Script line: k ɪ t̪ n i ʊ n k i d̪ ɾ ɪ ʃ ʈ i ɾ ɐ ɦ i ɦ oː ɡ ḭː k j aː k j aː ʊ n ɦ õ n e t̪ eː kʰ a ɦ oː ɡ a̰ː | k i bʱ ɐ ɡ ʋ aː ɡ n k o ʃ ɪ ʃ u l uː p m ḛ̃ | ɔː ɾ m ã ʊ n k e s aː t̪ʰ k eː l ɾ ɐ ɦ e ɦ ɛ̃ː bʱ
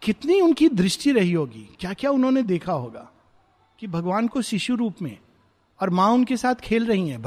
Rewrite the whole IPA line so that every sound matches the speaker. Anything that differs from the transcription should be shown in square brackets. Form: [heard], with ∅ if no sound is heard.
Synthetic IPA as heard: k ɪ t̪ n i ʊ n k i d̪ ɾ ɪ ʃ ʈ i ɾ ɐ ɦ i ɦ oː ɡ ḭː k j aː k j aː ʊ n ɦ õ n e [d̪] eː kʰ a ɦ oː ɡ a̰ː | k i bʱ ɐ ɡ ʋ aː [∅] n k o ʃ ɪ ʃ u [ɾ] uː p m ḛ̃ | ɔː ɾ m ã ʊ n k e s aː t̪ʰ [kʰ] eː l ɾ ɐ ɦ [i] ɦ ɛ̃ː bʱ